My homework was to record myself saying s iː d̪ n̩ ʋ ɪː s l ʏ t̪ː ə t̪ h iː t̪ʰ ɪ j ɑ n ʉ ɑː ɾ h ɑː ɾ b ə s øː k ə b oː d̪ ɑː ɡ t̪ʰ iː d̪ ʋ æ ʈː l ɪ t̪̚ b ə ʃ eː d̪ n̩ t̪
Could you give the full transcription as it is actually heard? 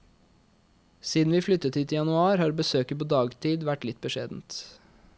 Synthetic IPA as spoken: s iː d̪ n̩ ʋ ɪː f l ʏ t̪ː ə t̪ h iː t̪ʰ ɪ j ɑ n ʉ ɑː ɾ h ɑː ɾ b ə s øː k ə p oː d̪ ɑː ɡ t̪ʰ iː d̪ ʋ æ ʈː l ɪ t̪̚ b ə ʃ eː d̪ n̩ t̪